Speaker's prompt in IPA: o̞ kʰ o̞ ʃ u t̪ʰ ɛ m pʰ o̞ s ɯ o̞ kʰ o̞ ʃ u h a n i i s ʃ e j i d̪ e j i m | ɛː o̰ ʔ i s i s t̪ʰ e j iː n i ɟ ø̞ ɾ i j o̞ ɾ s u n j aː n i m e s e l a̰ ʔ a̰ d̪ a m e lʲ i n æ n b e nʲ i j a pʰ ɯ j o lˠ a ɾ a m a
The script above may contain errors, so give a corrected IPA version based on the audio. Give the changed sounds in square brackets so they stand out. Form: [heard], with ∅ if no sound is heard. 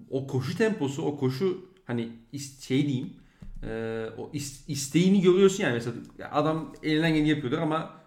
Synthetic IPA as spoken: o̞ kʰ o̞ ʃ u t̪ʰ ɛ m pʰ o̞ s [u] o̞ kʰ o̞ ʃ u h a n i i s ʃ e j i d̪ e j i m | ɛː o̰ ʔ i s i s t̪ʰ e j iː n i ɟ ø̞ ɾ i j o̞ ɾ s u n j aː n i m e s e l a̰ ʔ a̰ d̪ a m e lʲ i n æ n [ɟ] e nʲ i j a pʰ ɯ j o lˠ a ɾ a m a